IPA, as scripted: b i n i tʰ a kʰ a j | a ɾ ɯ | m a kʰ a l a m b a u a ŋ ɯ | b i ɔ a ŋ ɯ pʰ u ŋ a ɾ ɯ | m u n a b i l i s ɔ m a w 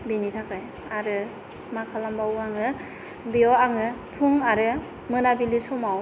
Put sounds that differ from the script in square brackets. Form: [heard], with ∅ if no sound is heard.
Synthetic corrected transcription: b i n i tʰ a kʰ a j | a ɾ ɯ | m a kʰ a l a m b a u a ŋ ɯ | b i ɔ a ŋ ɯ pʰ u ŋ a ɾ ɯ | m [ɯ] n a b i l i s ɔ m a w